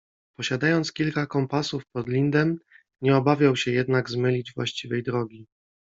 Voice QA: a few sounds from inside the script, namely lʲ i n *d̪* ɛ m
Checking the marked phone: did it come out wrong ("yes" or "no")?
no